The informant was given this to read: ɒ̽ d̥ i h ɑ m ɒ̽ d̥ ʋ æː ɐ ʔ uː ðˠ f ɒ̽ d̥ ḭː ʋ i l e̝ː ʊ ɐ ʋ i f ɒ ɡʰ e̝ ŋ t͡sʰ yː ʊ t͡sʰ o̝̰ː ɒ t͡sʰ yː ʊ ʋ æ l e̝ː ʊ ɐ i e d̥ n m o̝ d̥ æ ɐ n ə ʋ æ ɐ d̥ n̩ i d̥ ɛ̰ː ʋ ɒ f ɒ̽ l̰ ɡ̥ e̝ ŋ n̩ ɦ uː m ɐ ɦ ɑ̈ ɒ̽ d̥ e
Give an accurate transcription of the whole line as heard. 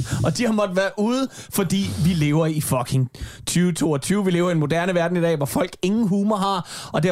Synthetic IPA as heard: ɒ̽ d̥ i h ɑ m ɒ̽ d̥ ʋ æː ɐ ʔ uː ðˠ f ɒ̽ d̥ ḭː ʋ i l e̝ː ʊ ɐ i f ɒ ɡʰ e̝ ŋ t͡sʰ yː ʊ t͡sʰ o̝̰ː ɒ t͡sʰ yː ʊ ʋ i l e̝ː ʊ ɐ i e n m o̝ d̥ æ ɐ n ə ʋ æ ɐ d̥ n̩ i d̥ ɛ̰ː ʋ ɒ f ɒ̽ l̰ ɡ̥ e̝ ŋ n̩ ɦ uː m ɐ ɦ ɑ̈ ɒ̽ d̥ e